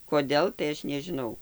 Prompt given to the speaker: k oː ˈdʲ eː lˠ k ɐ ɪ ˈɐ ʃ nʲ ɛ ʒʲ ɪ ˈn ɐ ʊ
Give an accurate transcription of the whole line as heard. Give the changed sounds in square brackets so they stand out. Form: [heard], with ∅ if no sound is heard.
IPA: k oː ˈdʲ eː lˠ [t] ɐ ɪ ˈɐ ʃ nʲ ɛ ʒʲ ɪ ˈn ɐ ʊ